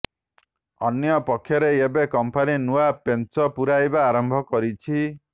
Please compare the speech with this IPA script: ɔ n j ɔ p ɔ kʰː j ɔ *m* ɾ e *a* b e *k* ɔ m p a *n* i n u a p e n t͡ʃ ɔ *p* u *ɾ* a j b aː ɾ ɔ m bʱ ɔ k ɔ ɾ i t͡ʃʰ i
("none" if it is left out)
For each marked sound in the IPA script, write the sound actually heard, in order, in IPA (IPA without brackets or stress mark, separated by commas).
none, e, k, n, p, ɾ